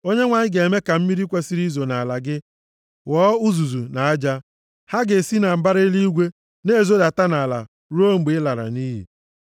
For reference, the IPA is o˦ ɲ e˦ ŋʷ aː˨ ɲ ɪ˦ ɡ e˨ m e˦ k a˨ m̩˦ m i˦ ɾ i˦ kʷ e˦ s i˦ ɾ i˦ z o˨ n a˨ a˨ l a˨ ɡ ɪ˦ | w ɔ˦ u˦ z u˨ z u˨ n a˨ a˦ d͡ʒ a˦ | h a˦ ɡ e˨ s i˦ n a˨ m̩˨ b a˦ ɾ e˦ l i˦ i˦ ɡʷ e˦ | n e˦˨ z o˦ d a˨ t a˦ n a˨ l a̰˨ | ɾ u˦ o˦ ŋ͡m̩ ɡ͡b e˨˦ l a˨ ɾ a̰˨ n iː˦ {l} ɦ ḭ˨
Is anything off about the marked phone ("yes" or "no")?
yes